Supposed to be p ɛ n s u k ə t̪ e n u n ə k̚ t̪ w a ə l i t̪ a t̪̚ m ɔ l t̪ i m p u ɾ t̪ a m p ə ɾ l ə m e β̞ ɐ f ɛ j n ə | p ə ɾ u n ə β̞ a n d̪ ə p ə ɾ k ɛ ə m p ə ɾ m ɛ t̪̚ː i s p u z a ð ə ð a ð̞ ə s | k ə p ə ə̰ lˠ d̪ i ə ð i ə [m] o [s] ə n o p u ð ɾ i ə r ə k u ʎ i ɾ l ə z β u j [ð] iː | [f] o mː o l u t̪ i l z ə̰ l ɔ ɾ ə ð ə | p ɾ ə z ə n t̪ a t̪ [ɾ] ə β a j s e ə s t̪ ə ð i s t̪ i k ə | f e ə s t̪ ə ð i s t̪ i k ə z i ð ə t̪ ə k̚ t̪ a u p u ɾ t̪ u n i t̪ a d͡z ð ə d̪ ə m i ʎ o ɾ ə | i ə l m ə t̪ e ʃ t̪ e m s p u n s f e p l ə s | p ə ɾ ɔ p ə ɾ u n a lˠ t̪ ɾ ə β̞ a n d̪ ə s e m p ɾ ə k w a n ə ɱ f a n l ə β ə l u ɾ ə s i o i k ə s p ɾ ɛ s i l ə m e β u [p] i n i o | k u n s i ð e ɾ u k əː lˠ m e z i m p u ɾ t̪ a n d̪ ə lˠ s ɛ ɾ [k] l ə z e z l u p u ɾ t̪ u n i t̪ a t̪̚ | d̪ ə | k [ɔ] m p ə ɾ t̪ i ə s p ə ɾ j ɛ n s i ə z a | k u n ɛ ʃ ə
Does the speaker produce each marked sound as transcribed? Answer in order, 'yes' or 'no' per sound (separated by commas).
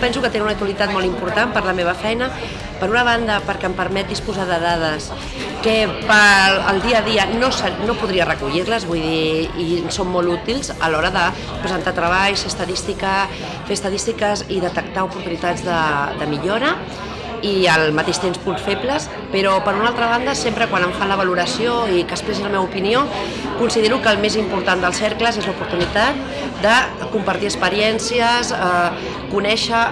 no, yes, yes, no, yes, yes, yes, no